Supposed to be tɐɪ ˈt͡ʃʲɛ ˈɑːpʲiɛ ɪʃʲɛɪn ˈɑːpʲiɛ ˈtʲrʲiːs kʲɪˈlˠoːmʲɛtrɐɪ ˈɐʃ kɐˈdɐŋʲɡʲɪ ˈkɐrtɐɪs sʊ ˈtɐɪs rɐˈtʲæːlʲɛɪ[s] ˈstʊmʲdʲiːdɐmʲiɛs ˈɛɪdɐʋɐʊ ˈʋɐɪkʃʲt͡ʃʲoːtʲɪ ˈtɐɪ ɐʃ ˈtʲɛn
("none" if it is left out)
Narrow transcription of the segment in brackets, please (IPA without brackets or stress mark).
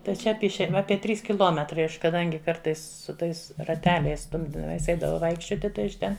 s